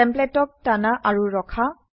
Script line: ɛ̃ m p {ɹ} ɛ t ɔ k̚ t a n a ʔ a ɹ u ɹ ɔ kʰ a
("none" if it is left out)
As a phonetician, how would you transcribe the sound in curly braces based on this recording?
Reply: l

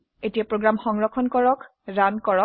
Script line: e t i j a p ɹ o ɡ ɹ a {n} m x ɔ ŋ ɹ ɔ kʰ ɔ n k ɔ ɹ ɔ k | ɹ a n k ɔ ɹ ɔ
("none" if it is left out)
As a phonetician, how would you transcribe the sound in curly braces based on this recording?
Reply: none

